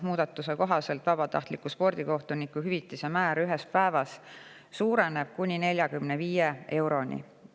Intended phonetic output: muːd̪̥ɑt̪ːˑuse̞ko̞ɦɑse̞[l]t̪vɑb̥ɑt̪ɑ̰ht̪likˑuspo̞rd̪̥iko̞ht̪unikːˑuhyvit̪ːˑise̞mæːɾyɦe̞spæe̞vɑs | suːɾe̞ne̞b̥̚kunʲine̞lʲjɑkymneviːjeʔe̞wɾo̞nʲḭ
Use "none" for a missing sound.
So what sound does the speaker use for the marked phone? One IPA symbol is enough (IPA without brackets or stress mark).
l